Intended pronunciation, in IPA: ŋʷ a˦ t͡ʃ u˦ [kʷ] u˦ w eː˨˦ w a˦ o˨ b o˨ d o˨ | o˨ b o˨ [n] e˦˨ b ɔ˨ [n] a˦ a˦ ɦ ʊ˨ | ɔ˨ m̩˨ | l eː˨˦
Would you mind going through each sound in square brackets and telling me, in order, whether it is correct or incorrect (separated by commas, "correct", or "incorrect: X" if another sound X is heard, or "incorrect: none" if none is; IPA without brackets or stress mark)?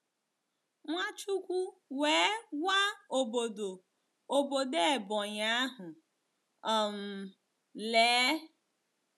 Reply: correct, incorrect: d, incorrect: ɲ